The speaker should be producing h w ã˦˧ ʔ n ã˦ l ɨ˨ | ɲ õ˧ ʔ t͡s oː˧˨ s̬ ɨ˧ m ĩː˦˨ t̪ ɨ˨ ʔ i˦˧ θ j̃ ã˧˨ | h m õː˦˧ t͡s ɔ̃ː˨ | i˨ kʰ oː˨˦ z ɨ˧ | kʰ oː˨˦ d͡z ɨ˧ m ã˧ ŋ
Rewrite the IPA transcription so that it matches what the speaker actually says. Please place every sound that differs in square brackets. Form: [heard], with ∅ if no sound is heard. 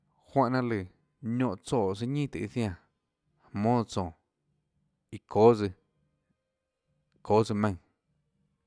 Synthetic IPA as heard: h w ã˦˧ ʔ n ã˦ l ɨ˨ | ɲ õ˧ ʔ t͡s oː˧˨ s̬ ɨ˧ [ɲ] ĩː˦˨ t̪ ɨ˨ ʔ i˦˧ θ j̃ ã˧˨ | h m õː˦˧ t͡s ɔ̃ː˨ | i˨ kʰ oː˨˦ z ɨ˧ | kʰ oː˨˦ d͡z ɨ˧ m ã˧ ŋ

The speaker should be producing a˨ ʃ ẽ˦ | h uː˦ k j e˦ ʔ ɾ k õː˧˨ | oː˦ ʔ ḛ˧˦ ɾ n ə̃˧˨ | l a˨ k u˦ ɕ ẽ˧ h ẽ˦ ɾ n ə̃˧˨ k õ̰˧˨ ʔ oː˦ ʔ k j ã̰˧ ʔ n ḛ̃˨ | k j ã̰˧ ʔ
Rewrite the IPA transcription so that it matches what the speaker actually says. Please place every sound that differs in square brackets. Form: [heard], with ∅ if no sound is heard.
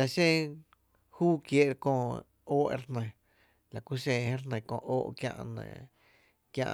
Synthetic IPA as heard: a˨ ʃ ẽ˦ | h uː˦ k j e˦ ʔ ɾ k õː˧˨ | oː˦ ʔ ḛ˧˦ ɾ n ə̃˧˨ | l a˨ k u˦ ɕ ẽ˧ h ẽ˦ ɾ n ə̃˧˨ k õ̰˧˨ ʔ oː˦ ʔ k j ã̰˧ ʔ n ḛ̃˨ | k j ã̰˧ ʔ

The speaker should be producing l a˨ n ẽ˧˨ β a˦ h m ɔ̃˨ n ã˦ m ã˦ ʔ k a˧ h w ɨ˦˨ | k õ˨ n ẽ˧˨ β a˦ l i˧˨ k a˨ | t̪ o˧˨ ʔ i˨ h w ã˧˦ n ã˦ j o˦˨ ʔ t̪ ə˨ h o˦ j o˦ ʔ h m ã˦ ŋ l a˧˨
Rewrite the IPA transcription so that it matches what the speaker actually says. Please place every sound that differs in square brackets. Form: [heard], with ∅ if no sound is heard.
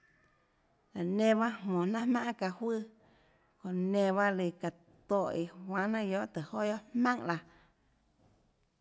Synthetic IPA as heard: l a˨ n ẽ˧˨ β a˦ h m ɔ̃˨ n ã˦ m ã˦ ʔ k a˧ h w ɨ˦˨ | k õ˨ n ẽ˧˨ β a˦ l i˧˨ k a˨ | t̪ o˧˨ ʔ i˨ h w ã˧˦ n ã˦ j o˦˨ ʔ t̪ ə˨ h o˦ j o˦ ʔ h m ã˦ ŋ l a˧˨

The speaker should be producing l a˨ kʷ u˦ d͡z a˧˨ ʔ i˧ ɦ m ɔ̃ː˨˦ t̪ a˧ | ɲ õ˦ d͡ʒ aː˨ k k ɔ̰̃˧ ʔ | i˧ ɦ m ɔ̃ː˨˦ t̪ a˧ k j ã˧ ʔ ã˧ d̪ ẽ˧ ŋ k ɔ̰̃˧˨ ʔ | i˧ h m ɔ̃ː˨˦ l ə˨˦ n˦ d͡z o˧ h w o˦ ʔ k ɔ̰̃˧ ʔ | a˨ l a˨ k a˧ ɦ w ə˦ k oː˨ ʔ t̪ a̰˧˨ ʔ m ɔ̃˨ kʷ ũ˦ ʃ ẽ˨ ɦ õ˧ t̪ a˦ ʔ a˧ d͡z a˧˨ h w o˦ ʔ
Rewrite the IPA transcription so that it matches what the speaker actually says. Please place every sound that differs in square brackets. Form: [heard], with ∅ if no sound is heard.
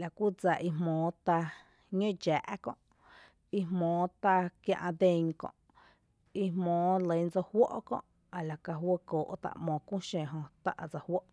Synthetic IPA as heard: l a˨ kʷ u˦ d͡z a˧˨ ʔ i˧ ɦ m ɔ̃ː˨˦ t̪ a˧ | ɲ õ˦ d͡ʒ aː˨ [ʔ] k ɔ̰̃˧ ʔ | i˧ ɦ m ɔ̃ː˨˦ t̪ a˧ k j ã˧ ʔ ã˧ d̪ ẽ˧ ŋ k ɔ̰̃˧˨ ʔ | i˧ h m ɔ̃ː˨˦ l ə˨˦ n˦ d͡z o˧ h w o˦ ʔ k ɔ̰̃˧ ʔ | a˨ l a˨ k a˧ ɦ w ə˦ k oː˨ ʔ t̪ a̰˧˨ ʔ m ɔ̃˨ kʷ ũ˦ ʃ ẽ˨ ɦ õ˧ t̪ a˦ ʔ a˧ d͡z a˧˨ h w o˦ ʔ

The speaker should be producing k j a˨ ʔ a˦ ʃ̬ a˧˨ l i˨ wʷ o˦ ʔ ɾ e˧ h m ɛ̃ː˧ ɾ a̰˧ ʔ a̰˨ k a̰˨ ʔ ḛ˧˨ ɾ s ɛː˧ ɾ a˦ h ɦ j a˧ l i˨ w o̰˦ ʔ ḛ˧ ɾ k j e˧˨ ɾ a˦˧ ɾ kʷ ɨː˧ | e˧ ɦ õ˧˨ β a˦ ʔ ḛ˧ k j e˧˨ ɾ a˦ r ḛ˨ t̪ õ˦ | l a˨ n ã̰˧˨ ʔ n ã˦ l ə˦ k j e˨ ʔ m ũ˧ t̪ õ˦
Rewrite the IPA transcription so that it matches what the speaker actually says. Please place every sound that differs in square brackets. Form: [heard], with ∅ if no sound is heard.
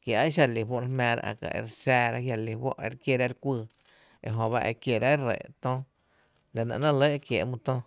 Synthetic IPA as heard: k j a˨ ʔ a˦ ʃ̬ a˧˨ l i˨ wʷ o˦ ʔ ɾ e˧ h m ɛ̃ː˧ ɾ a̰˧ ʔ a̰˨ k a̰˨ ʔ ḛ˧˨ ɾ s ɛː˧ ɾ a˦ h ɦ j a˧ l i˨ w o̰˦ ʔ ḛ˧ ɾ k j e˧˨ ɾ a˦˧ ɾ kʷ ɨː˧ | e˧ ɦ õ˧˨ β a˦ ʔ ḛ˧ k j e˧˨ ɾ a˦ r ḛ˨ t̪ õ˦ | l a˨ n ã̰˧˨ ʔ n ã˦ l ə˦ k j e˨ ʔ m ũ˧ t̪ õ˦

